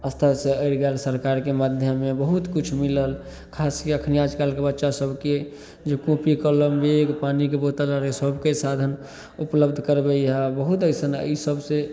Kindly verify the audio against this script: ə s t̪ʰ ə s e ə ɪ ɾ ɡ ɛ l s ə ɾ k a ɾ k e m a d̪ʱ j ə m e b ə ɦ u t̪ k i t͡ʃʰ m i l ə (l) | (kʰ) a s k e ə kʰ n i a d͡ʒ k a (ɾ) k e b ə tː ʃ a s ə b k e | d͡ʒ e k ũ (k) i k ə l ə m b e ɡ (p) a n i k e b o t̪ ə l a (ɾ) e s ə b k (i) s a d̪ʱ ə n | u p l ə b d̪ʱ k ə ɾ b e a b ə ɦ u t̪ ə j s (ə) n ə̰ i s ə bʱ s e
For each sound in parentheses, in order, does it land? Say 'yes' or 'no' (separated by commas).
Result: yes, yes, no, no, yes, yes, no, yes